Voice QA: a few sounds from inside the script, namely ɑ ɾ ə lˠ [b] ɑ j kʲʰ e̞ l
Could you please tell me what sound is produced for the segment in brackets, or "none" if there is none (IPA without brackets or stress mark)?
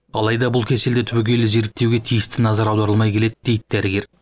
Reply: m